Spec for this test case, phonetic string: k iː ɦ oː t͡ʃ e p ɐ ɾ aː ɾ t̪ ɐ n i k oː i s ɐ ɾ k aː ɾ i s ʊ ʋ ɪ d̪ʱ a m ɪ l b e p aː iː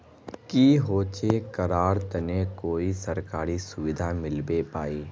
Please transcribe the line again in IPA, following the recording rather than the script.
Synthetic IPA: k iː ɦ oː t͡ʃ e k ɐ ɾ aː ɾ t̪ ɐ n e k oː i s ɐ ɾ k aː ɾ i s ʊ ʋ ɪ d̪ʱ a m ɪ l b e p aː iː